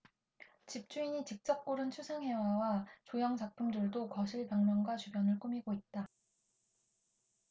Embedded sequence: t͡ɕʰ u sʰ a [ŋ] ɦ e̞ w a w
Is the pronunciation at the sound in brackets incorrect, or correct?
correct